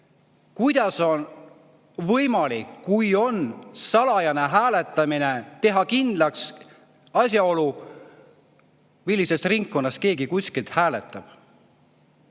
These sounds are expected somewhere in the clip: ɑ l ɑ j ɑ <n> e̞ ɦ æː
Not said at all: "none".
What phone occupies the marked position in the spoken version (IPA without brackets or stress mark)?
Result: n